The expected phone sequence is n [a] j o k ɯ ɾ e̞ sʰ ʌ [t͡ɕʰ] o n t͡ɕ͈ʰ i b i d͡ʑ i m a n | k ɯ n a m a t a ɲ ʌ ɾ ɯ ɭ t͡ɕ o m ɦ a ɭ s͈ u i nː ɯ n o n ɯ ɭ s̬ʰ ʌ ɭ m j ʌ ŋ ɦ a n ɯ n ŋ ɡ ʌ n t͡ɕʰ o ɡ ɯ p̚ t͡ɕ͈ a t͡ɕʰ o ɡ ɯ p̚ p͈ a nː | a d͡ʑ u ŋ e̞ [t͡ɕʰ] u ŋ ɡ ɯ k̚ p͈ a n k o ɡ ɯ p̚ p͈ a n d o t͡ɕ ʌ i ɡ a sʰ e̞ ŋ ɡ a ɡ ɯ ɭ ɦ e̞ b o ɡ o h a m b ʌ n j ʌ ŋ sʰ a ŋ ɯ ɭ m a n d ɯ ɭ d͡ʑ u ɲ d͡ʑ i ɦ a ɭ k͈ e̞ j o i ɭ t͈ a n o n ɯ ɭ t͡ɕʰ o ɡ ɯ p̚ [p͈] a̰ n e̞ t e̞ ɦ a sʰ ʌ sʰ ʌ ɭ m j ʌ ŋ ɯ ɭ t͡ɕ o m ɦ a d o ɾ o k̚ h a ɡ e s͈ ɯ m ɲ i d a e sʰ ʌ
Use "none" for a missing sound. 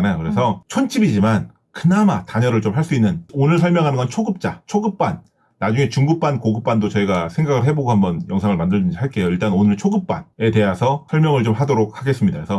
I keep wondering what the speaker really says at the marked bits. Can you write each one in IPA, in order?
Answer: a, t͡ɕʰ, t͡ɕ, p͈

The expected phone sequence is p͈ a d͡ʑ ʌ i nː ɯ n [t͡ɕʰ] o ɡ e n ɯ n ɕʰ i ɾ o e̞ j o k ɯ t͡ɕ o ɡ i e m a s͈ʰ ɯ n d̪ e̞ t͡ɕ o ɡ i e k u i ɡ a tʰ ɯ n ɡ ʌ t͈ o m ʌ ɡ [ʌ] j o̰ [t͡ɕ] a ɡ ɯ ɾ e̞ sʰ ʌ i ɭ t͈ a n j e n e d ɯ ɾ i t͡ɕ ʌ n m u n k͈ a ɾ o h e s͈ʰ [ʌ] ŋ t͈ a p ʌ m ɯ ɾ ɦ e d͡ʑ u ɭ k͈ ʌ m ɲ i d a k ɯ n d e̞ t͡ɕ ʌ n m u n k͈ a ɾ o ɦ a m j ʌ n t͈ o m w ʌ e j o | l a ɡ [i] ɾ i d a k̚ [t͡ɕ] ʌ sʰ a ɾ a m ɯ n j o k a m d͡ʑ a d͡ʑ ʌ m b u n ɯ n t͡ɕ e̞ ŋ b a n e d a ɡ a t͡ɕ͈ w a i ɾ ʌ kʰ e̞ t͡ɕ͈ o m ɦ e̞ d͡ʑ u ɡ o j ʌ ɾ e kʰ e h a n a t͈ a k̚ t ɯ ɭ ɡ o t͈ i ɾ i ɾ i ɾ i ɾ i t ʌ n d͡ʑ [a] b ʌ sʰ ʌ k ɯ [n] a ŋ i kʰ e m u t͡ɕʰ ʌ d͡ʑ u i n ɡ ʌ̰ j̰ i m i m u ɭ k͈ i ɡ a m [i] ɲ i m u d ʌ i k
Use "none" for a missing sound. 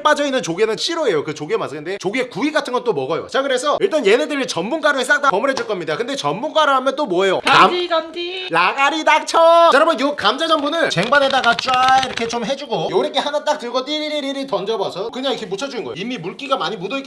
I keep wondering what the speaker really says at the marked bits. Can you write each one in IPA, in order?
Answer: t͡ɕ, ʌ, t͡ɕ, a, a, t͡ɕʰ, ʌ, ɲ, a

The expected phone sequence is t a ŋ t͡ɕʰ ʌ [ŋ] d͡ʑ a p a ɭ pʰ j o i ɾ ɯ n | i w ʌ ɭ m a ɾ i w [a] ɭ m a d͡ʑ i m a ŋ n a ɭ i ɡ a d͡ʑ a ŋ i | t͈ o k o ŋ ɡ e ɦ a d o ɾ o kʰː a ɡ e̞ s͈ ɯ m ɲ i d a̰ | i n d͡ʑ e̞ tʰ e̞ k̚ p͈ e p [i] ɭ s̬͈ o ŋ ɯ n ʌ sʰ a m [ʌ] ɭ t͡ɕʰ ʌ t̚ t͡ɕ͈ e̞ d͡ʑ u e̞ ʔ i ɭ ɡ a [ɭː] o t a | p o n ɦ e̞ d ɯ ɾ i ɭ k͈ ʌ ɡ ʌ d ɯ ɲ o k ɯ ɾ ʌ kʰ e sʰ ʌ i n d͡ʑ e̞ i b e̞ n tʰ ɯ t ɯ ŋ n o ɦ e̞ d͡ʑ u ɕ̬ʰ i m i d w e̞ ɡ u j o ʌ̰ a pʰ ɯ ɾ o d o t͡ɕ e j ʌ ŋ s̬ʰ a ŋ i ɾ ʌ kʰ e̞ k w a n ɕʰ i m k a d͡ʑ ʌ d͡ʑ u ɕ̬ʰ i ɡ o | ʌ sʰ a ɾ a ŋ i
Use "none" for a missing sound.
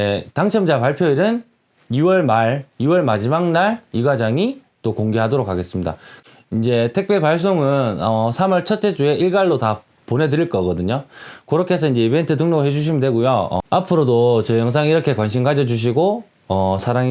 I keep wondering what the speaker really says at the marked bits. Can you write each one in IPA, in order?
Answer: m, ʌ, a, ʌ, ɭː

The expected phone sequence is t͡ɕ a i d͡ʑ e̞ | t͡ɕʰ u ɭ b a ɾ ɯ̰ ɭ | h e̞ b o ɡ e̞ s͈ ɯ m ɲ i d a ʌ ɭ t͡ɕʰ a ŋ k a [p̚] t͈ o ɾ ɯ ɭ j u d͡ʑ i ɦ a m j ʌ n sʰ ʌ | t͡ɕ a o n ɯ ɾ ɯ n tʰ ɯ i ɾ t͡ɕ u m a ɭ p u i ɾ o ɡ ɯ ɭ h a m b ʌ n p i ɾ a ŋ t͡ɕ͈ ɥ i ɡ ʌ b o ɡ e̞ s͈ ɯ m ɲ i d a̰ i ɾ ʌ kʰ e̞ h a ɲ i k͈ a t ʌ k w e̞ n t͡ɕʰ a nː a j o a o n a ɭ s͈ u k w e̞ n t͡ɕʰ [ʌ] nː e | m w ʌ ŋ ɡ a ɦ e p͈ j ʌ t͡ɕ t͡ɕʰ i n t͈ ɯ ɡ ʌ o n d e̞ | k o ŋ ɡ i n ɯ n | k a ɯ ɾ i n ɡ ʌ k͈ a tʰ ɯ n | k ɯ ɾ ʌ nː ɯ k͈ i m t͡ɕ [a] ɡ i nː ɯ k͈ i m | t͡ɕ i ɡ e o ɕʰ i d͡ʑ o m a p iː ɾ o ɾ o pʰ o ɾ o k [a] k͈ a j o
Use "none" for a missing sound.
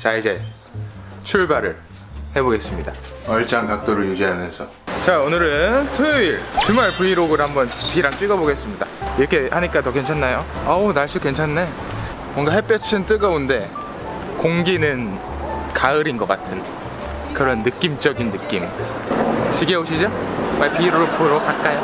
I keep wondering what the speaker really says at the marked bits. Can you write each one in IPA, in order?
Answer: k̚, a, ʌ, a

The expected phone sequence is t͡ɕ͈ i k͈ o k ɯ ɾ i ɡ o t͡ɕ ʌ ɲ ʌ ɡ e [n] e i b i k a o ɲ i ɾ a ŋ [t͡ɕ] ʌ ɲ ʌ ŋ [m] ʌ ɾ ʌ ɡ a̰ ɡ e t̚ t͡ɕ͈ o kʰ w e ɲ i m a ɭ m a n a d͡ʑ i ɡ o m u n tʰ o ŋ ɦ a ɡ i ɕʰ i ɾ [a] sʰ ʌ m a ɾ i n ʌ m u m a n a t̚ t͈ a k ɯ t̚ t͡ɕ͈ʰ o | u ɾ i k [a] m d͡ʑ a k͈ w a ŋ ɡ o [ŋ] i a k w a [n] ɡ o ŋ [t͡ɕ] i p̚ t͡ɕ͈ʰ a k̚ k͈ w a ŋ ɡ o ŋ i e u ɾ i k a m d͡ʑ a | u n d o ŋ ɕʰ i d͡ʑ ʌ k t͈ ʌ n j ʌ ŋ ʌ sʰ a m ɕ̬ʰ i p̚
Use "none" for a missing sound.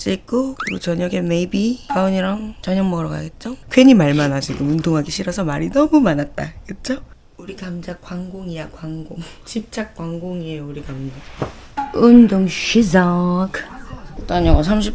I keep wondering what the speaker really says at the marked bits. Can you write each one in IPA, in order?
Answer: m, t͡ɕ, m, ʌ, a, ŋ, ŋ, t͡ɕ

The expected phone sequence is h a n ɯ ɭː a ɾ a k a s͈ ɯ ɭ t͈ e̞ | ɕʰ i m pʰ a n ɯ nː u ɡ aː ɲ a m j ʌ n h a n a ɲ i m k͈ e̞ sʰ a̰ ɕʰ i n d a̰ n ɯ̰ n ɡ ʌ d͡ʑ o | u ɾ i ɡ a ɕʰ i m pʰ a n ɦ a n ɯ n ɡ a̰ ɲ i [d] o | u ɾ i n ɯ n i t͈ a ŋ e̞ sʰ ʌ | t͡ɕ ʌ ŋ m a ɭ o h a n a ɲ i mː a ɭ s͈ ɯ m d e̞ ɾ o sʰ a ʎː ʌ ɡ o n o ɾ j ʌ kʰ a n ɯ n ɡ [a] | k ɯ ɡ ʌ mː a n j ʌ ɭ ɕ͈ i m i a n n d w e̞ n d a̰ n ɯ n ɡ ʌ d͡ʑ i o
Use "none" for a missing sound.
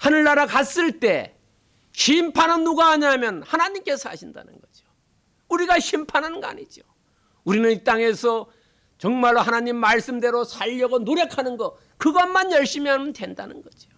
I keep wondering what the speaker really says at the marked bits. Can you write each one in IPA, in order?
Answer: d͡ʑ, ʌ

